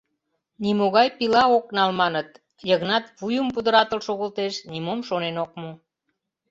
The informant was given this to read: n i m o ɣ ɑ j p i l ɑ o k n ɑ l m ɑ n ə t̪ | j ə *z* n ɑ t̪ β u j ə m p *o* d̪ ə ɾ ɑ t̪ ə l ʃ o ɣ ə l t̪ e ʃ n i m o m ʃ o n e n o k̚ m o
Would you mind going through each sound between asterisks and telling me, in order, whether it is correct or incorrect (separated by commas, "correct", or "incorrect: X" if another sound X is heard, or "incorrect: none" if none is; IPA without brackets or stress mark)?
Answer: incorrect: ɣ, incorrect: u